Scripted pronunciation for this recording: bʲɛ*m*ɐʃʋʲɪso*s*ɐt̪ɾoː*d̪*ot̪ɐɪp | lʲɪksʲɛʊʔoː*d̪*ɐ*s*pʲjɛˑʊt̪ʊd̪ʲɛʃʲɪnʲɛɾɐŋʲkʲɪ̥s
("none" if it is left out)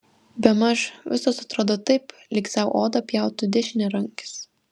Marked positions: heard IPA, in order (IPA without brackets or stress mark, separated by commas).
m, s, d̪, d̪, none